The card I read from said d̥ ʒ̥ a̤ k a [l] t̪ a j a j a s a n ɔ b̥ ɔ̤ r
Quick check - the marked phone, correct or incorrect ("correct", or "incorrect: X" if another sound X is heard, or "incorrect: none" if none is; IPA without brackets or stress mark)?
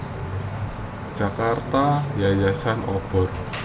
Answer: incorrect: r